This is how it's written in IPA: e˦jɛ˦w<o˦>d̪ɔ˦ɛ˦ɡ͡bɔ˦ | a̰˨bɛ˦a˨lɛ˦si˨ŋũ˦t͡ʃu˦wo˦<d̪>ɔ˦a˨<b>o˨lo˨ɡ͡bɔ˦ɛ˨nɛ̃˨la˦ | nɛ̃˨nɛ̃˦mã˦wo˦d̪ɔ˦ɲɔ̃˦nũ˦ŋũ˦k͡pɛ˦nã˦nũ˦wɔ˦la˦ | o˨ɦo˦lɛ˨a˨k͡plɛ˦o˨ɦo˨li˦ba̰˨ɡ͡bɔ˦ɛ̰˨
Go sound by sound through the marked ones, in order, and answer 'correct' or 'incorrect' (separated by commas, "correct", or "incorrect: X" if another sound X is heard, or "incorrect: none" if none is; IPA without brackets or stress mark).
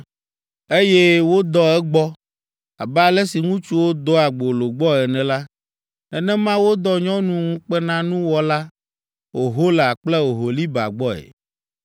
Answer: correct, correct, incorrect: ɡ͡b